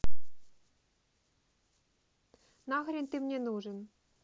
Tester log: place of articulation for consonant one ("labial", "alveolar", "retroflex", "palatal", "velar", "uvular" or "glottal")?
alveolar